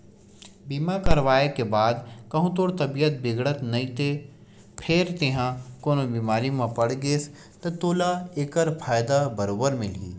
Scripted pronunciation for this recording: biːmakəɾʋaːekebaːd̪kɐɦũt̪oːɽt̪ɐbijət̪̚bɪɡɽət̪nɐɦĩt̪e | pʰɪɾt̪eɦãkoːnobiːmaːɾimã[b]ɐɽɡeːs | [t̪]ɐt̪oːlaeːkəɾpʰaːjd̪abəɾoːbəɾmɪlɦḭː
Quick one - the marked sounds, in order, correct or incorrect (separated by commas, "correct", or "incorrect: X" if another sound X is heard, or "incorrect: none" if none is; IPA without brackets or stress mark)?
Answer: incorrect: p, correct